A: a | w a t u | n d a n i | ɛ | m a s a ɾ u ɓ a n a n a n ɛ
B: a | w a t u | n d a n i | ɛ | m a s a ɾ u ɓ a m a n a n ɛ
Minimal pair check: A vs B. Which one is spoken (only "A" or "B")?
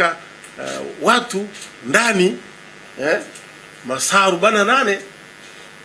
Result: A